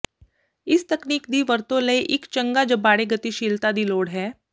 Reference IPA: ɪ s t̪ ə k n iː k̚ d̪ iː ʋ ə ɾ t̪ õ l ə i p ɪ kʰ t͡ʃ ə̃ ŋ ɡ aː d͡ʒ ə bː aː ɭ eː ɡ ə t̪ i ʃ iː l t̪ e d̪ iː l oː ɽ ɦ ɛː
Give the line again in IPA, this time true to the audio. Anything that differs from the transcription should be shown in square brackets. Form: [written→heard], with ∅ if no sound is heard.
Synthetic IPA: ɪ s t̪ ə k n iː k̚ d̪ iː ʋ ə ɾ t̪ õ l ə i [p→ʔ] ɪ [kʰ→k] t͡ʃ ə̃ ŋ ɡ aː d͡ʒ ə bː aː [ɭ→ɽ] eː ɡ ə t̪ i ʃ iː l t̪ [e→a] d̪ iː l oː ɽ ɦ ɛː

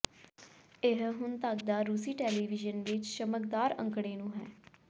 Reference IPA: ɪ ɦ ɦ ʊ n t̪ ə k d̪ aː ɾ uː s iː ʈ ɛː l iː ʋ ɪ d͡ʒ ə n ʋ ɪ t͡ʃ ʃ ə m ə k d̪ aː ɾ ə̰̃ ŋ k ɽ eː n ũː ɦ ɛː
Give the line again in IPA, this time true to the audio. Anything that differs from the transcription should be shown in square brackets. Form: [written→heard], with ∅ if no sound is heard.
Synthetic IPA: ɪ ɦ ɦ ʊ n t̪ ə k d̪ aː ɾ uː s iː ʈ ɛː l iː ʋ ɪ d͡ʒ ə n ʋ ɪ t͡ʃ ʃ ə m ə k d̪ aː ɾ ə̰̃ ŋ k ɽ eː n ũː ɦ ɛː

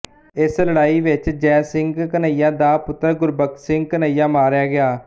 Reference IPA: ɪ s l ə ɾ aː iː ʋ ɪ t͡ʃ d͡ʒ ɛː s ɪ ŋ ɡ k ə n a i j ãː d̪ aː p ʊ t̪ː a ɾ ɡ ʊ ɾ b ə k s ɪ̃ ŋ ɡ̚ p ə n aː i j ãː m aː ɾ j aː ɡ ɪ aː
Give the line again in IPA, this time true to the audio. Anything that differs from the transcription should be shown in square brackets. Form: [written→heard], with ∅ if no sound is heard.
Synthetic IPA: ɪ s l ə [ɾ→ɽ] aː iː ʋ ɪ t͡ʃ d͡ʒ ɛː s ɪ ŋ ɡ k ə n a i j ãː d̪ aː p ʊ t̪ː [a→ə] ɾ ɡ ʊ ɾ b ə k s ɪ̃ ŋ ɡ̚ [p→k] ə n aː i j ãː m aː ɾ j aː ɡ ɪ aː

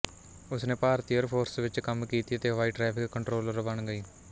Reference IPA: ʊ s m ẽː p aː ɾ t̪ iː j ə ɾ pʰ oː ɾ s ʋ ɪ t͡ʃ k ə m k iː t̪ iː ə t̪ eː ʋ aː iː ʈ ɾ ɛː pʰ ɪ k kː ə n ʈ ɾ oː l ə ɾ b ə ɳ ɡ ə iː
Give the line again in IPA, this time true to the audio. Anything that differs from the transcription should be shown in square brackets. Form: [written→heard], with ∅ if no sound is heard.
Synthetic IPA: ʊ s [m→n] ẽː p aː ɾ t̪ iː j ə ɾ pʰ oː ɾ s ʋ ɪ t͡ʃ k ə m k iː t̪ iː ə t̪ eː ʋ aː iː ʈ ɾ ɛː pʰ ɪ k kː ə [n→ɳ] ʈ ɾ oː l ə ɾ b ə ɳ ɡ ə iː

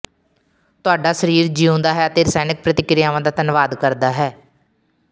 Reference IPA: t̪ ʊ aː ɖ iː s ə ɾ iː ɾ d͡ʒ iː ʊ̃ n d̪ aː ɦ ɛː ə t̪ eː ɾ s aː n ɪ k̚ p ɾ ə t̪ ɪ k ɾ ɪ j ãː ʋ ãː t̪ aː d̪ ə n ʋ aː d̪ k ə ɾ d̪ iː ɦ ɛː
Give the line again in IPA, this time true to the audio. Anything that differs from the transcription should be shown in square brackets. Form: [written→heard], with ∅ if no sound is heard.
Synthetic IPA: t̪ ʊ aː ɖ [iː→aː] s ə ɾ iː ɾ d͡ʒ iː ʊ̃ n d̪ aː ɦ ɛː ə t̪ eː ɾ s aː n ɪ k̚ p ɾ ə t̪ ɪ k ɾ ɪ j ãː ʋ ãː [t̪→d̪] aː [d̪→t̪] ə n ʋ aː d̪ k ə ɾ d̪ [iː→aː] ɦ ɛː

